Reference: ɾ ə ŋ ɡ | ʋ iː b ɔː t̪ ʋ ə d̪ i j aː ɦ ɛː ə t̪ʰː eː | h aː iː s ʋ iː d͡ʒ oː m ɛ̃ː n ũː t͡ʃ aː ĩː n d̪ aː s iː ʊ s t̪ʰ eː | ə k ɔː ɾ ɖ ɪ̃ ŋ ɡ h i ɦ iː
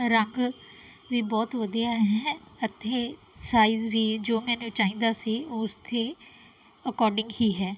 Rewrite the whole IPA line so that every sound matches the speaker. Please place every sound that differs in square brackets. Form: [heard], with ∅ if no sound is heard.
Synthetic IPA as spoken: ɾ ə ŋ ɡ | ʋ iː b ɔː t̪ ʋ ə d̪ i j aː ɦ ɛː ə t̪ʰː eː | [s] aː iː [z] ʋ iː d͡ʒ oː m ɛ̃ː n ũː t͡ʃ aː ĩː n d̪ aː s iː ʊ s t̪ʰ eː | ə k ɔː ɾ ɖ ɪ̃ ŋ ɡ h [iː] ɦ [ɛː]